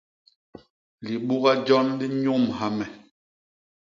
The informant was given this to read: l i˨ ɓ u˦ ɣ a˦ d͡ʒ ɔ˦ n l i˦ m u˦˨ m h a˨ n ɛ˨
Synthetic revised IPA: l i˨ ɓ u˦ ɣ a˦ d͡ʒ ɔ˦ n l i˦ ɲ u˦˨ m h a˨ m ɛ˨